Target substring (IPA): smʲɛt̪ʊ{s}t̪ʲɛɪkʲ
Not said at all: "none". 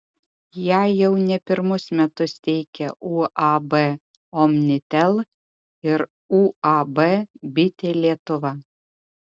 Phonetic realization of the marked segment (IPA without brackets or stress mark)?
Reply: s